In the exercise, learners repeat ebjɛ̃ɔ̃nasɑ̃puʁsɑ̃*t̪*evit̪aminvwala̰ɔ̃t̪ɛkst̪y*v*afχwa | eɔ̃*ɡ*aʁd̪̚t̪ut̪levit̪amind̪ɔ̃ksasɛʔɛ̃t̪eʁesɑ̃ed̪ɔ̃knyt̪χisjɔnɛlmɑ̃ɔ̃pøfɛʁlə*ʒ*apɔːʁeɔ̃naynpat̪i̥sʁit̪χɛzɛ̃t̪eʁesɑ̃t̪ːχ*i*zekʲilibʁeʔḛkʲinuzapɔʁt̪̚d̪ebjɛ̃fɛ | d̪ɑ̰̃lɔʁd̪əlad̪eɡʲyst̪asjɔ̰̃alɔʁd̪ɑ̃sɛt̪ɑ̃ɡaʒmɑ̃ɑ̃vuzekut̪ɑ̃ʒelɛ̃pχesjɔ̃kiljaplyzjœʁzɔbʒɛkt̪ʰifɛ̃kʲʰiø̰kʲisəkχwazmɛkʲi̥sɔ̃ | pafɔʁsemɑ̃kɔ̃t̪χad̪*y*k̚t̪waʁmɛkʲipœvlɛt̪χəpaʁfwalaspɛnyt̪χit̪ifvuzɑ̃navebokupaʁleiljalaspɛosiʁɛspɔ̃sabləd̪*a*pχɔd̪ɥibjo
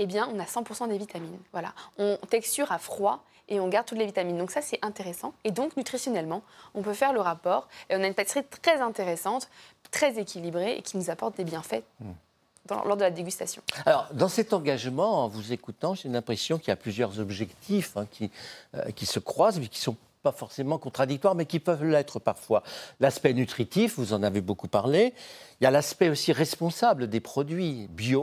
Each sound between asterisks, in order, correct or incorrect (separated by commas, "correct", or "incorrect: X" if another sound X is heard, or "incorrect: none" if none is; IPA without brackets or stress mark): incorrect: d̪, incorrect: ʁ, correct, incorrect: ʁ, incorrect: ɛ, incorrect: i, incorrect: e